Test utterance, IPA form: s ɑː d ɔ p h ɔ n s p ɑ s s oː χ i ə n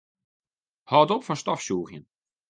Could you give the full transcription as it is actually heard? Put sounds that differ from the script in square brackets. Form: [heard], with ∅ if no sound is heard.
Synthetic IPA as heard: [h] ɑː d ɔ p [f] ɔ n s [t] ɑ [f] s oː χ [j] ə n